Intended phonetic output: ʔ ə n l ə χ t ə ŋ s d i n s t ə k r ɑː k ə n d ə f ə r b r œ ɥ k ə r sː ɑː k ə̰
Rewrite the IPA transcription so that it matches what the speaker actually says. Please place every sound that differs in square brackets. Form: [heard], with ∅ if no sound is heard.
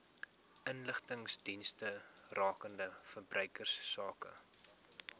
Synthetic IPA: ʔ ə n l ə χ t ə ŋ s d i n s t ə [∅] r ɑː k ə n d ə f ə r b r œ ɥ k ə r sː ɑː k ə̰